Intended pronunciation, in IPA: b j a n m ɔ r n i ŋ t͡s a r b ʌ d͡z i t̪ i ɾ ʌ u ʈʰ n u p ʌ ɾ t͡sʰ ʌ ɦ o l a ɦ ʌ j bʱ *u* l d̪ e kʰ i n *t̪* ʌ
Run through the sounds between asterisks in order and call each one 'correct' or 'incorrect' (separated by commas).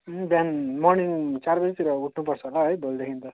incorrect, correct